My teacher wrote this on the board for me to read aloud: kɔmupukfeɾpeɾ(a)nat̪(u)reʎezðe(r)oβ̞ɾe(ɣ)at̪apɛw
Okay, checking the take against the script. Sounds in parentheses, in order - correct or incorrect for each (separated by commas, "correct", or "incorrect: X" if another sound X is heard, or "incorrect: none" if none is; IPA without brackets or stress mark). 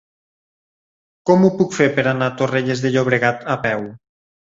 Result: correct, incorrect: o, incorrect: ʎ, correct